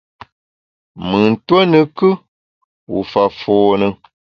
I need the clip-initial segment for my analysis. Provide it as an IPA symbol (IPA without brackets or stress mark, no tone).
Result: m